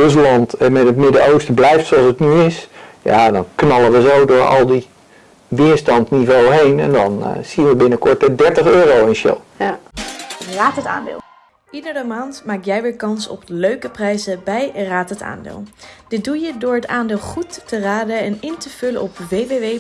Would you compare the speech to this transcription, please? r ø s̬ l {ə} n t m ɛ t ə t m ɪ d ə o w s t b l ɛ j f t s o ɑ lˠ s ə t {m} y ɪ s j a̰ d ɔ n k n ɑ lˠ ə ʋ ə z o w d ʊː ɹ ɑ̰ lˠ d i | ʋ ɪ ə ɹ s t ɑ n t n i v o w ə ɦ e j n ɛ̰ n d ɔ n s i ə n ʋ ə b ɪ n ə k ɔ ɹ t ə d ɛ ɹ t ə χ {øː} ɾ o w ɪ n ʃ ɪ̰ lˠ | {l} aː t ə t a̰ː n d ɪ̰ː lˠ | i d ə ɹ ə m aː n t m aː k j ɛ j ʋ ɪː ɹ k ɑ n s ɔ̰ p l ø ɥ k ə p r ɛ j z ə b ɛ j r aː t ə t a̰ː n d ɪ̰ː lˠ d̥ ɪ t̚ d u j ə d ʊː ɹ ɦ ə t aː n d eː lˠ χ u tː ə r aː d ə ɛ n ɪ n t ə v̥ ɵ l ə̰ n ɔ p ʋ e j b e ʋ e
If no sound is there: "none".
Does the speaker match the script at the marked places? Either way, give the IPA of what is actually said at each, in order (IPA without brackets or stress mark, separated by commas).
ɑ, n, øː, r